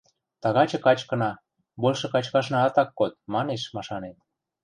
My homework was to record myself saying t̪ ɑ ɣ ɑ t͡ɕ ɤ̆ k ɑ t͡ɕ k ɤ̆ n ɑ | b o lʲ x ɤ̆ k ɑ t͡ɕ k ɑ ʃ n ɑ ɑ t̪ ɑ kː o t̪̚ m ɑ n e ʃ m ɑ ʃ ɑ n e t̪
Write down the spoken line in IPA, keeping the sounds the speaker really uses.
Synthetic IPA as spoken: t̪ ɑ ɣ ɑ t͡ɕ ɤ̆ k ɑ t͡ɕ k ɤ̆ n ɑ | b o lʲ ʃ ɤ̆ k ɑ t͡ɕ k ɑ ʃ n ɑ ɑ t̪ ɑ kː o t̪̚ m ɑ n e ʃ m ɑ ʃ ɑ n e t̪

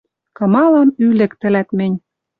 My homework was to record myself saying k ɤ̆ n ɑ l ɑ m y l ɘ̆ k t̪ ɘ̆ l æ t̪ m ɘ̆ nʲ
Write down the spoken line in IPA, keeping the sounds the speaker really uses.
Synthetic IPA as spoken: k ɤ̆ m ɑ l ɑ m y l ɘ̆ k t̪ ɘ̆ l æ t̪ m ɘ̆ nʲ

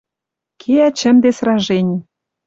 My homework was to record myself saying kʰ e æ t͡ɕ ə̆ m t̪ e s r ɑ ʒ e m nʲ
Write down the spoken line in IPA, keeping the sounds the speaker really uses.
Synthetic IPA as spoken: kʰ e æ t͡ɕ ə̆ m d̪ e s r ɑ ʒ e nʲ

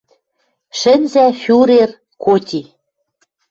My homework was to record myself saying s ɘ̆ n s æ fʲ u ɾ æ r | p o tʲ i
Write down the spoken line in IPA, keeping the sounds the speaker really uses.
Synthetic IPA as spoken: ʃ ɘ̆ n z æ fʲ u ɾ e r | k o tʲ i

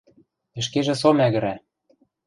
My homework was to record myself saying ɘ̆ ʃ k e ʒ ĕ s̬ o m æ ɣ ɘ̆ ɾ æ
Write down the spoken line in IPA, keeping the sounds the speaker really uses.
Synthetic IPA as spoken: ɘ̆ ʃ k e ʒ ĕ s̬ o m æ ɣ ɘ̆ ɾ æ

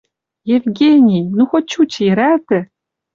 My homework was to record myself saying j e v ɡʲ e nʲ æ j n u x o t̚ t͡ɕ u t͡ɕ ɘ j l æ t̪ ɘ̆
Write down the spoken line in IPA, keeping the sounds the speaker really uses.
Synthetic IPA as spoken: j e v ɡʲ e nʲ i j n u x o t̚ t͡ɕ u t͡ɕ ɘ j ɾ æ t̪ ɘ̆

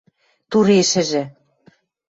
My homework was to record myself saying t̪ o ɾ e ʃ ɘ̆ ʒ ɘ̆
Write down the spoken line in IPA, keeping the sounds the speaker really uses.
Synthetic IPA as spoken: t̪ u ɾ e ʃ ɘ̆ ʒ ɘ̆

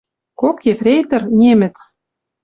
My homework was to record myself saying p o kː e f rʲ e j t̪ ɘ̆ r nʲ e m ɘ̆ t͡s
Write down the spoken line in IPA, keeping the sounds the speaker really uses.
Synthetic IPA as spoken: k o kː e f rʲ e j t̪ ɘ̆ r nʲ e m ɘ̆ t͡s

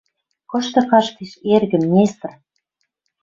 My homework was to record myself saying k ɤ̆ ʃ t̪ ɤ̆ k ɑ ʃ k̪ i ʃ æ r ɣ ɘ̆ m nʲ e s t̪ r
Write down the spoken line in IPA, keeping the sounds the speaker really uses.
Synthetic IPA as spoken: k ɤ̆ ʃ t̪ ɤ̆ k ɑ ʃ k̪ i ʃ e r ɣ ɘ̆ m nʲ e s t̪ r

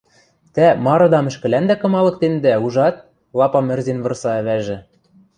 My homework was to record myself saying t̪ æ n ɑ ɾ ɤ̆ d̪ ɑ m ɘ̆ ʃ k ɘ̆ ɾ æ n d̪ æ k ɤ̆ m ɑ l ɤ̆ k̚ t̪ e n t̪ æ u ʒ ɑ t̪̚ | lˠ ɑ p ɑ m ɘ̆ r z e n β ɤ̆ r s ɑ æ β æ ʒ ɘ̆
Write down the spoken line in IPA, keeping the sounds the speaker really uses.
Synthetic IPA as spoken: t̪ æ m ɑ ɾ ɤ̆ d̪ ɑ m ɘ̆ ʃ k ɘ̆ l æ n d̪ æ k ɤ̆ m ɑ l ɤ̆ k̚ t̪ e n d̪ æ u ʒ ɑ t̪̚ | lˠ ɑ p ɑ m ɘ̆ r z e n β ɤ̆ r s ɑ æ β æ ʒ ɘ̆

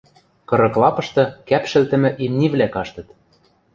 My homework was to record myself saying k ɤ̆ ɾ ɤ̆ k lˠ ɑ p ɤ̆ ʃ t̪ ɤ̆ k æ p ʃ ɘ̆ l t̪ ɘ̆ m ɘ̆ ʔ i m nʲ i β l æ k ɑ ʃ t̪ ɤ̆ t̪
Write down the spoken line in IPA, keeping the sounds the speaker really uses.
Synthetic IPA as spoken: k ɤ̆ ɾ ɤ̆ k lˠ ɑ p ɤ̆ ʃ t̪ ɤ̆ k æ p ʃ ɘ̆ l t̪ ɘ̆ m ɘ̆ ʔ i m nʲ i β l æ k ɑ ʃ t̪ ɤ̆ t̪

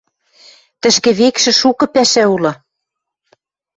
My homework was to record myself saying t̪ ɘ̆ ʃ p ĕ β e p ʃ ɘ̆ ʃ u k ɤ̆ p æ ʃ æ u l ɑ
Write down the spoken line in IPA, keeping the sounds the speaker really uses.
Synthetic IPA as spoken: t̪ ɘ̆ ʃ k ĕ β e k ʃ ɘ̆ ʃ u k ɤ̆ p æ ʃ æ u l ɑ

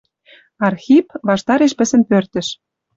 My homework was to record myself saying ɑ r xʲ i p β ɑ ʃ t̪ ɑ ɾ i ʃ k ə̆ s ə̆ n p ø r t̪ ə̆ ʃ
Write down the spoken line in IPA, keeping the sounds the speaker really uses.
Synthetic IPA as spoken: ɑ r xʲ i p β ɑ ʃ t̪ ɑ ɾ e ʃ p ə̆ s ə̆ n p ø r t̪ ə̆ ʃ

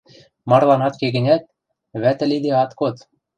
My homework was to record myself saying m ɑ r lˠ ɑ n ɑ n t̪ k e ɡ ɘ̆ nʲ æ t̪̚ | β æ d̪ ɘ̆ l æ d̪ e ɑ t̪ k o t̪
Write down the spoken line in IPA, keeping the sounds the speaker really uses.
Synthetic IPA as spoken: m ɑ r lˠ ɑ n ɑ t̪ k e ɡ ɘ̆ nʲ æ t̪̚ | β æ t̪ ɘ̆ l i d̪ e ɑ t̪ k o t̪

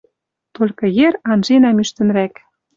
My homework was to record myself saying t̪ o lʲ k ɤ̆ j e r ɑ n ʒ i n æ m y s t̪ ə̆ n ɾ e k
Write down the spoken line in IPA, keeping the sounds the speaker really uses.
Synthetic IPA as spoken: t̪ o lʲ k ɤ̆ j e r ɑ n ʒ e n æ m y ʃ t̪ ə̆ n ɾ æ k

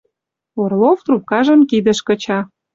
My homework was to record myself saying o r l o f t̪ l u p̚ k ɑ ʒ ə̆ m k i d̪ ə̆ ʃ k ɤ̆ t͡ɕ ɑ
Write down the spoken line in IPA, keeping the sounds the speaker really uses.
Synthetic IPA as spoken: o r l o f t̪ r u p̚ k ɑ ʒ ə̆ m k i d̪ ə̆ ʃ k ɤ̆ t͡ɕ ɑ

